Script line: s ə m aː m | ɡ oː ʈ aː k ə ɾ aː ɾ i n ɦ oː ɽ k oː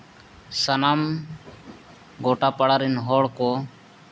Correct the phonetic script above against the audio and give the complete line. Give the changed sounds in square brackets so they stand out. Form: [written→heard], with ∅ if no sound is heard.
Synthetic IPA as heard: s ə [m→n] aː m | ɡ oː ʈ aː [k→p] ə [ɾ→ɽ] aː ɾ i n ɦ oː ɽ k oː